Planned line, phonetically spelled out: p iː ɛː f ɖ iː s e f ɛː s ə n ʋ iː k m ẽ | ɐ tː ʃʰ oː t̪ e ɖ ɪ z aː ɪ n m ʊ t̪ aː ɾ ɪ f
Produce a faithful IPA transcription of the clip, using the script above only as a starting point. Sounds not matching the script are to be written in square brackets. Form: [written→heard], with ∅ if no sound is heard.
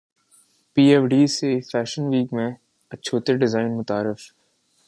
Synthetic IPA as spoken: p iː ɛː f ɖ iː s e f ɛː [s→ʃ] ə n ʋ iː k m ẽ | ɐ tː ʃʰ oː t̪ e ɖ ɪ z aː ɪ n m ʊ t̪ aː ɾ ɪ f